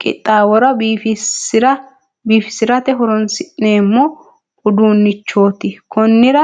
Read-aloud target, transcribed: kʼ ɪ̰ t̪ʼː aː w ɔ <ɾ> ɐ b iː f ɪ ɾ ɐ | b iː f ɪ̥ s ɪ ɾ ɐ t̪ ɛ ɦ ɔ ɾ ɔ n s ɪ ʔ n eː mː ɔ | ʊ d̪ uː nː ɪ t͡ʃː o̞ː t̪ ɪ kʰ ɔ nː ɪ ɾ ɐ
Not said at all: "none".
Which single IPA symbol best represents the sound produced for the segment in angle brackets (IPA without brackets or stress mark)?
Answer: ɾ